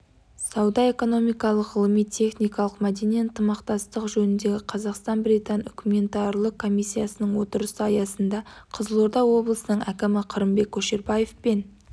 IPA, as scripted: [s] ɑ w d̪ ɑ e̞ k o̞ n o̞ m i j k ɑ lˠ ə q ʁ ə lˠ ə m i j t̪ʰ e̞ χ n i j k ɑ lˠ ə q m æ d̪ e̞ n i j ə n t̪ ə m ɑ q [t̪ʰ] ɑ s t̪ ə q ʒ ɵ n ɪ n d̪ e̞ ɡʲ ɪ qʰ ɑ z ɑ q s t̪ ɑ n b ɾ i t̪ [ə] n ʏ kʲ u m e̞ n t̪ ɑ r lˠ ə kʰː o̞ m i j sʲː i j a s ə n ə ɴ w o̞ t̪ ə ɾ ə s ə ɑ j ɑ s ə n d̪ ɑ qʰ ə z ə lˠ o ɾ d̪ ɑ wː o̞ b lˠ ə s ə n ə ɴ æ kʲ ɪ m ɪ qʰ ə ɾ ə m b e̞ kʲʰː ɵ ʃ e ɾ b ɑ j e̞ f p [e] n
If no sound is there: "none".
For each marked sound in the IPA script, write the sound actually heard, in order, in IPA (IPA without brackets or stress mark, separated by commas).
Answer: s, t̪, ɑ, e